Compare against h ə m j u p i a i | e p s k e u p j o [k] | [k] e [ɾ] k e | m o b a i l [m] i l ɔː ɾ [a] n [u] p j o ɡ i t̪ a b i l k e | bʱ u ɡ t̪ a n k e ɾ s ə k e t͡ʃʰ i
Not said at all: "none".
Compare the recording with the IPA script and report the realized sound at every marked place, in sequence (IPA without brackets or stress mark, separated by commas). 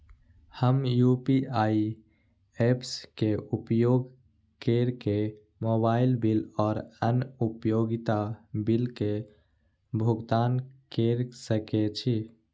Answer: ɡ, k, ɾ, b, ə, u